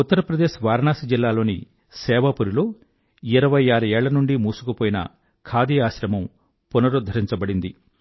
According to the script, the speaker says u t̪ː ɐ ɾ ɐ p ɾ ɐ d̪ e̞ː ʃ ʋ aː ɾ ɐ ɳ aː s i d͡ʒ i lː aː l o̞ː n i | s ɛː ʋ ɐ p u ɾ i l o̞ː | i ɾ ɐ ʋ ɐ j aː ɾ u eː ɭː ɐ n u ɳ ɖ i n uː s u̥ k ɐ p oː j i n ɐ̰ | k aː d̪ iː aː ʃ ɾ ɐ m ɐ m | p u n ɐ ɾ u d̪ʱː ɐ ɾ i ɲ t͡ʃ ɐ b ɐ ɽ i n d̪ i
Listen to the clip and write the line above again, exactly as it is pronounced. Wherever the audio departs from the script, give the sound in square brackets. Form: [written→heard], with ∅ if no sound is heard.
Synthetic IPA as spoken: u t̪ː ɐ ɾ ɐ p ɾ ɐ d̪ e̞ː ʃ ʋ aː ɾ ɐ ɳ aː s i d͡ʒ i lː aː l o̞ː n i | s ɛː ʋ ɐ p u ɾ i l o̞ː | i ɾ ɐ ʋ ɐ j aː ɾ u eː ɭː ɐ n u ɳ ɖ i [n→m] uː s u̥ k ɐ p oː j i n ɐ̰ | [k→kʰ] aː d̪ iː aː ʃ ɾ ɐ m ɐ m | p u n ɐ ɾ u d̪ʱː ɐ ɾ i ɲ t͡ʃ ɐ b ɐ ɽ i n d̪ i